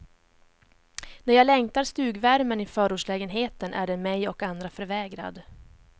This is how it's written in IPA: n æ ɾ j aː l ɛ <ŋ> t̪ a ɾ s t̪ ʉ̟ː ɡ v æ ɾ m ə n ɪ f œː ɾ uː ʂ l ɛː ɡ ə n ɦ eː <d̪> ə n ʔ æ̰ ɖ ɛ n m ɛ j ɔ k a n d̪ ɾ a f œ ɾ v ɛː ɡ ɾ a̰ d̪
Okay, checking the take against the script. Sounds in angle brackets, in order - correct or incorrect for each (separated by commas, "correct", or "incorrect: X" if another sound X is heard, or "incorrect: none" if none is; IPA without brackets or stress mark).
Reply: correct, incorrect: t̪